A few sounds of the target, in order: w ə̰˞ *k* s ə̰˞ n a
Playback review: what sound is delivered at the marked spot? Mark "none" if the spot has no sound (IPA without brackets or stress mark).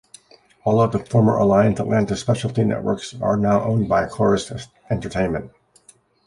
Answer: k